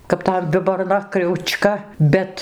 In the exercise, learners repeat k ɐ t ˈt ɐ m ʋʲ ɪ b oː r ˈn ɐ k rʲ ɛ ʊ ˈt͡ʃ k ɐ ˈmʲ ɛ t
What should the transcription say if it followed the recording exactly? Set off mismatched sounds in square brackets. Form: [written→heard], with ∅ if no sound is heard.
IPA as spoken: k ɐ [t→p] ˈt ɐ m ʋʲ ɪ b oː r ˈn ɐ k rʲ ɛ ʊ ˈt͡ʃ k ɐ [ˈmʲ→ˈbʲ] ɛ t